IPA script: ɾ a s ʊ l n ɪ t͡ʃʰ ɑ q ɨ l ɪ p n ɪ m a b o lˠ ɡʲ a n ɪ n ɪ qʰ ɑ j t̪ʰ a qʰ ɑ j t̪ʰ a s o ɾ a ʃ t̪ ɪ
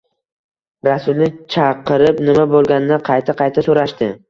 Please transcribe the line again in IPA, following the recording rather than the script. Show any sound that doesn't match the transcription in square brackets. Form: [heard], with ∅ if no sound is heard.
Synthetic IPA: ɾ a s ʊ l n ɪ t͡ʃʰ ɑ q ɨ [ɾ] ɪ p n ɪ m a b o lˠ ɡʲ a n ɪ n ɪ qʰ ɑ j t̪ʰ a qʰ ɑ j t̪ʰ a s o ɾ a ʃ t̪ ɪ